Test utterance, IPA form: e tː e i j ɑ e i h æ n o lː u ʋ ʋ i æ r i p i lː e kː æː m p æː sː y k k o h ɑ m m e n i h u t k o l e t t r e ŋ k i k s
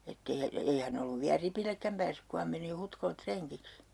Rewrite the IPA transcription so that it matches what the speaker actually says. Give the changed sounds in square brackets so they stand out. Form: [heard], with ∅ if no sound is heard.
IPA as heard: e tː e i j ɑ e i h æ n o lː u ʋ ʋ i æ r i p i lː e kː [æ] m p æː sː y k k [u] h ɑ m m e n i h u t k o l e t t r e ŋ k i k s